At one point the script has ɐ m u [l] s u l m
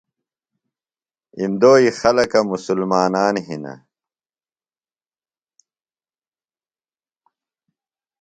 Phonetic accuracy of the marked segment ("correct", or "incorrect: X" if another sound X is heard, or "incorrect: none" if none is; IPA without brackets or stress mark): incorrect: none